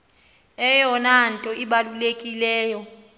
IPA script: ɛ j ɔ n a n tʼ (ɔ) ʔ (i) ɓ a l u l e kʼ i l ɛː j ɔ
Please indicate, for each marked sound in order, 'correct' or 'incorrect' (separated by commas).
correct, correct